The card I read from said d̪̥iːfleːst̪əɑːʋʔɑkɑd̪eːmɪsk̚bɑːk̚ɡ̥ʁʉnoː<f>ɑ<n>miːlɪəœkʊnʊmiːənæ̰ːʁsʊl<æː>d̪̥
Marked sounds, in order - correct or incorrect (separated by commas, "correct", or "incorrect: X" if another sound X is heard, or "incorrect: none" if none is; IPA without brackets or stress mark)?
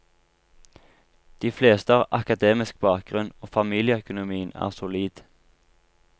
correct, incorrect: none, incorrect: iː